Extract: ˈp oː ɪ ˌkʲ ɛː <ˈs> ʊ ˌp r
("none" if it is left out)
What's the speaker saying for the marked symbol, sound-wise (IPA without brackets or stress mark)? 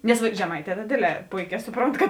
s